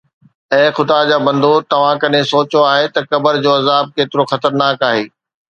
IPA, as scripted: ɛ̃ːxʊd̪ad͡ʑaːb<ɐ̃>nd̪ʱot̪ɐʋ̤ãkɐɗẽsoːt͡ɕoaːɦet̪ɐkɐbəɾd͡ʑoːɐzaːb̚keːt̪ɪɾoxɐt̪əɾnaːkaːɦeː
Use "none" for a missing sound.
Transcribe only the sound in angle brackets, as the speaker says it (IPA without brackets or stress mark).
ɐ̃